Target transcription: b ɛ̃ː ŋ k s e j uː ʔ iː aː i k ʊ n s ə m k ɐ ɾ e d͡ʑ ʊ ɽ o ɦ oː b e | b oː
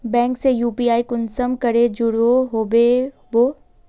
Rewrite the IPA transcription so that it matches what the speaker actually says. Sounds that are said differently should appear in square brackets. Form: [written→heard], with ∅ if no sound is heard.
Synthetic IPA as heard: b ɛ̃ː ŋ k s e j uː [ʔ→p] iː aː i k ʊ n s ə m k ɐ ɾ e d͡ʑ ʊ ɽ o ɦ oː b e | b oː